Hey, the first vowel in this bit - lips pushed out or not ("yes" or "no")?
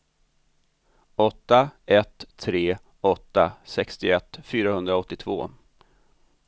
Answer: yes